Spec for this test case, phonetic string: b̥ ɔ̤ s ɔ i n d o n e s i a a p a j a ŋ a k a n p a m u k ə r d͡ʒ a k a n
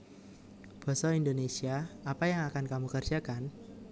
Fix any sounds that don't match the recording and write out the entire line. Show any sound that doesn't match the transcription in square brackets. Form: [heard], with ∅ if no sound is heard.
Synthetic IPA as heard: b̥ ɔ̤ s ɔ i n d o n e s i a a p a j a ŋ a k a n [k] a m u k ə r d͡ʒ a k a n